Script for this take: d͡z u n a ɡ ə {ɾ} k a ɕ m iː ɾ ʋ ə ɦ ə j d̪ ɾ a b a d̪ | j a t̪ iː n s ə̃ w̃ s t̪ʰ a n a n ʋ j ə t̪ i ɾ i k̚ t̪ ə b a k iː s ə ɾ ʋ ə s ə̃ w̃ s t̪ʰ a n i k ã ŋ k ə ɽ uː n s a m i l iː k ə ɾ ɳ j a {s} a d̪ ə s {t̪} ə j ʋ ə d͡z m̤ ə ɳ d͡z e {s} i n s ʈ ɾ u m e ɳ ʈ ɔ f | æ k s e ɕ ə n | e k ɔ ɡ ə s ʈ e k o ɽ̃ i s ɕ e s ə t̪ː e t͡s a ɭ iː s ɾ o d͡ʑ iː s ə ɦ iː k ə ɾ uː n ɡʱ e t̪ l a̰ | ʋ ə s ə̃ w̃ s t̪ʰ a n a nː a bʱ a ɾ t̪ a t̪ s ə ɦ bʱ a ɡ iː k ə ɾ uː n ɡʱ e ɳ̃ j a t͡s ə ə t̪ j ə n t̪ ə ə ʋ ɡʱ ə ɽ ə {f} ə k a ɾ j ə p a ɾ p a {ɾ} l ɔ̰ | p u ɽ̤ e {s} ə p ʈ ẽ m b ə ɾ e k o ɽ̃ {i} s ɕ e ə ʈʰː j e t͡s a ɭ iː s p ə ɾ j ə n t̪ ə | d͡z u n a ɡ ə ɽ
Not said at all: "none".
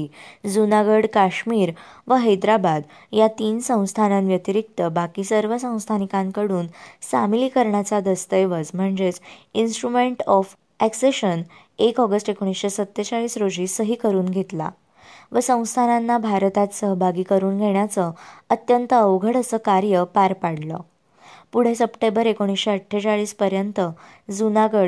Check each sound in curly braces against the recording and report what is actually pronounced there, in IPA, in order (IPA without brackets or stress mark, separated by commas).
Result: ɽ, t͡s, t̪, t͡s, s, ɽ, s, i